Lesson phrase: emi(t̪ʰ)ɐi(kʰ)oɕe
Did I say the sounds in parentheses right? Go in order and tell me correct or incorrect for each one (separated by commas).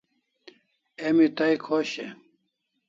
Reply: incorrect, correct